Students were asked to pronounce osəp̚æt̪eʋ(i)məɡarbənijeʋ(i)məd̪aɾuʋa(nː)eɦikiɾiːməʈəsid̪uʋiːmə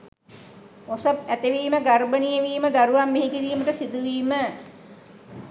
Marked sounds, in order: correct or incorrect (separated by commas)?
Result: incorrect, incorrect, incorrect